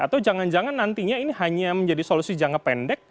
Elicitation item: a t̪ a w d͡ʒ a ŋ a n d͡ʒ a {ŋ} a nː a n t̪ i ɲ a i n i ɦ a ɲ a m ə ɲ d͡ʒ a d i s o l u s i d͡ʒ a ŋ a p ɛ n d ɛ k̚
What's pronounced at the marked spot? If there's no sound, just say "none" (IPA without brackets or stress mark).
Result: ŋ